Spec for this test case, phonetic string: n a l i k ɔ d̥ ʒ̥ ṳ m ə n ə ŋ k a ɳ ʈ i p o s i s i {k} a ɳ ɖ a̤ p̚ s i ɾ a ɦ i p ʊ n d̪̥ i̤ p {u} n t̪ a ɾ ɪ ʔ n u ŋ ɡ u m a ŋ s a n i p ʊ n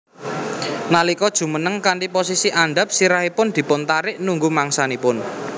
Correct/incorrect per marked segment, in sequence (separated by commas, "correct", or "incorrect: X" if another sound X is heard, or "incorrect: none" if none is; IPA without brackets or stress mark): incorrect: ʔ, incorrect: ʊ